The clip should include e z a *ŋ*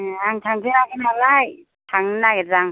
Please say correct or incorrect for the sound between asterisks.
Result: correct